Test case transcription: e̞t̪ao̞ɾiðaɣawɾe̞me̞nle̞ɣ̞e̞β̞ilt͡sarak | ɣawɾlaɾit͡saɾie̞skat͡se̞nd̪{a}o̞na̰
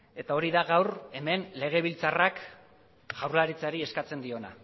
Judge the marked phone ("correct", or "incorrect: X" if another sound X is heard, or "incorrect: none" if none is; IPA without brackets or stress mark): incorrect: i